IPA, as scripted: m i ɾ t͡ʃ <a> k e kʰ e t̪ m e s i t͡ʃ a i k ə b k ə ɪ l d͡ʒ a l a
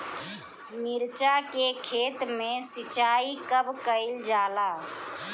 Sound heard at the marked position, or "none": a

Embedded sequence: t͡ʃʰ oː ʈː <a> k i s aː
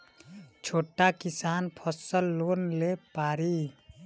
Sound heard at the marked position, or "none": a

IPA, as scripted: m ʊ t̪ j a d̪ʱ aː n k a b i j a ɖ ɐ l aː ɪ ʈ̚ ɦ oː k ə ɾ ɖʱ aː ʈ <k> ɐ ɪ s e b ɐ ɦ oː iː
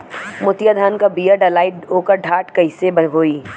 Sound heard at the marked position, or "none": k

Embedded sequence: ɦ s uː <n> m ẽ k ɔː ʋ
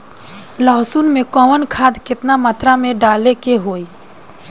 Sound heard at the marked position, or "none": n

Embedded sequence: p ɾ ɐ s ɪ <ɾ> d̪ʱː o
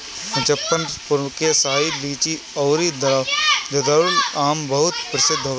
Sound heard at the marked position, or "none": none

